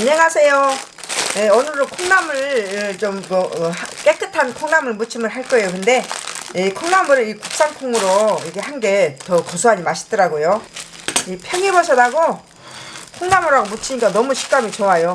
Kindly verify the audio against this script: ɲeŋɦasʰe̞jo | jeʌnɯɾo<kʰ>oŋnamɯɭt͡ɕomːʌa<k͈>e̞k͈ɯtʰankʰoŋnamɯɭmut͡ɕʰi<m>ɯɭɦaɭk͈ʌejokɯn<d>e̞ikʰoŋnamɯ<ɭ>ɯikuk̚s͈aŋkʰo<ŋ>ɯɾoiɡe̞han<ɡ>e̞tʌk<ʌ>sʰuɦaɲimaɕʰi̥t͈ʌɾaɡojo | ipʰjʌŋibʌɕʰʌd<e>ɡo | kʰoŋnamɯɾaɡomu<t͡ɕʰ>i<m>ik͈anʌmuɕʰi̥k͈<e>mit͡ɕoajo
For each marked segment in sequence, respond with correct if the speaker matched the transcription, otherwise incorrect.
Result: correct, correct, correct, correct, incorrect: ɾ, correct, correct, correct, incorrect: a, correct, incorrect: ɲ, incorrect: a

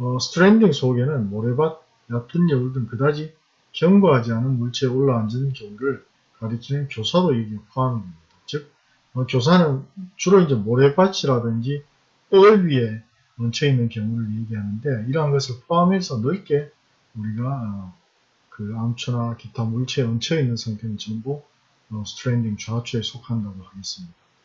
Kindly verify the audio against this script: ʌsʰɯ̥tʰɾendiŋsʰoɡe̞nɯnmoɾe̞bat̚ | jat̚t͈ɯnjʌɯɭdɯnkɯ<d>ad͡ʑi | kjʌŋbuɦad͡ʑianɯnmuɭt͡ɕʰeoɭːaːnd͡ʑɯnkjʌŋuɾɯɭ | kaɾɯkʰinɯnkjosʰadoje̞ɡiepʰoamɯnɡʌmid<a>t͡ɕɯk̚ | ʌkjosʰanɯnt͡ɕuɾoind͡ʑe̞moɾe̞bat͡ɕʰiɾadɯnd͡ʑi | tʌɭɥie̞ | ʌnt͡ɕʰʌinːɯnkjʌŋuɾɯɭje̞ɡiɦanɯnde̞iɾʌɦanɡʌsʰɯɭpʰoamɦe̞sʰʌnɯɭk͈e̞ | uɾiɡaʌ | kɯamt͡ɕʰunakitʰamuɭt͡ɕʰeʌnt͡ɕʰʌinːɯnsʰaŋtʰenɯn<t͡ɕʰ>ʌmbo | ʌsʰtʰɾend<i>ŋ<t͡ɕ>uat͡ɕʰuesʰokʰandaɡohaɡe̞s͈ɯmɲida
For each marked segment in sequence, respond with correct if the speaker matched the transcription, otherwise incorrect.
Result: correct, correct, incorrect: t͡ɕ, correct, correct

